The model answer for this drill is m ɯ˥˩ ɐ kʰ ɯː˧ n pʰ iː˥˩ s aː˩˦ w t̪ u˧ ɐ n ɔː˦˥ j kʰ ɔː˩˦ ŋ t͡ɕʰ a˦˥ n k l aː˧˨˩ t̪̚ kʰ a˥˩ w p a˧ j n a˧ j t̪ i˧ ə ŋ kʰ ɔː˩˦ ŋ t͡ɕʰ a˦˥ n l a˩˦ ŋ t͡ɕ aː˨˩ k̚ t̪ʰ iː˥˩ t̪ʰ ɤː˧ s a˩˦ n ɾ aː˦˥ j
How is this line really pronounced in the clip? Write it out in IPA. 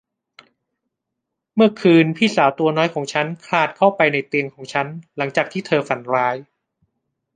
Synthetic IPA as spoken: m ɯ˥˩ ɐ kʰ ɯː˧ n pʰ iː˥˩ s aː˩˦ w t̪ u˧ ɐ n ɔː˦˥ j kʰ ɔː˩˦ ŋ t͡ɕʰ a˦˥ n kʰ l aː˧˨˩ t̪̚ kʰ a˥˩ w p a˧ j n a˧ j t̪ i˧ ə ŋ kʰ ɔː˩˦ ŋ t͡ɕʰ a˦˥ n l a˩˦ ŋ t͡ɕ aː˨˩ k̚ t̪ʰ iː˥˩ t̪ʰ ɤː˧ f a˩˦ n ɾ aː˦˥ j